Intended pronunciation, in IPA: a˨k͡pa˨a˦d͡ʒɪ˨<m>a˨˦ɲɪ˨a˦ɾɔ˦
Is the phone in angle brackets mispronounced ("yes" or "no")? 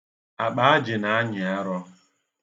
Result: yes